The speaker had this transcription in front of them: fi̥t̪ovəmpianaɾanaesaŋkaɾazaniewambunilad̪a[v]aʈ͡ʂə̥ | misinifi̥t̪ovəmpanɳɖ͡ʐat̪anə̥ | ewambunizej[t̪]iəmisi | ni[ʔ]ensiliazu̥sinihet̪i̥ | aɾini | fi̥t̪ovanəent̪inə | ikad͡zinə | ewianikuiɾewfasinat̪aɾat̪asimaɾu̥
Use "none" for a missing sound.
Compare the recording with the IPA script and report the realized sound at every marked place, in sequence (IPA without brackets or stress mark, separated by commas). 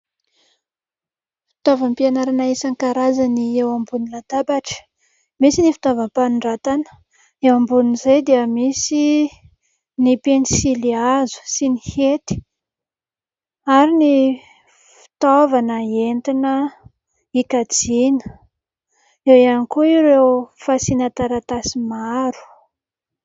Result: b, d̪, p